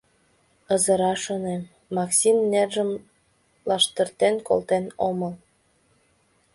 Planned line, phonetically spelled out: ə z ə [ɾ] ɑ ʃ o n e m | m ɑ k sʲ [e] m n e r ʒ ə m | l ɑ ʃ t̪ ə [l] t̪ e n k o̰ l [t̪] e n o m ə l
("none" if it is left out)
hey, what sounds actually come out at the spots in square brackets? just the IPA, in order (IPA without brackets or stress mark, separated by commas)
ɾ, i, r, t̪